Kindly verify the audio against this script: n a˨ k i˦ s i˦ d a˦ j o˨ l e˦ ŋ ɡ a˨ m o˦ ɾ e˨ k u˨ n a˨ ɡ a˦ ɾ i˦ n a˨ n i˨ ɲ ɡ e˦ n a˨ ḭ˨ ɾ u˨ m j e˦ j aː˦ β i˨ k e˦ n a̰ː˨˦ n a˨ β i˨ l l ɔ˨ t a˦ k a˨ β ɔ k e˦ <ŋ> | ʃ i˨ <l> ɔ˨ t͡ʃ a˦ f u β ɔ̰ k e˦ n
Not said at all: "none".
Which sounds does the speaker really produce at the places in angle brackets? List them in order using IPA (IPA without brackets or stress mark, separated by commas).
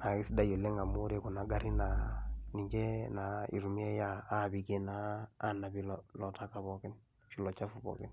n, l